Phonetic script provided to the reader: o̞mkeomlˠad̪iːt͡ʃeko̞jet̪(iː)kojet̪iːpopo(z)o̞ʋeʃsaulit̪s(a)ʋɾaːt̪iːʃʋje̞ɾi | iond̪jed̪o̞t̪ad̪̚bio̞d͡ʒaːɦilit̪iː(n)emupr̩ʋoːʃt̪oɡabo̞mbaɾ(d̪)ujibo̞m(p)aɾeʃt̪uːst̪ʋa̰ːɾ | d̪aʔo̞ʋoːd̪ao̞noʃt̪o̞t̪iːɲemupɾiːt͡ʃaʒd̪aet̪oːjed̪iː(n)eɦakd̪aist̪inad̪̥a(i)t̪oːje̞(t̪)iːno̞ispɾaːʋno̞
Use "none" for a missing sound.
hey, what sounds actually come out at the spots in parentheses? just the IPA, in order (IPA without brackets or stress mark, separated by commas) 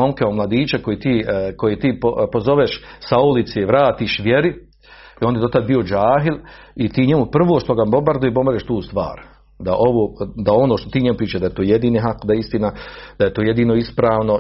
iː, z, e, ɲ, d̪, b, n, e, d̪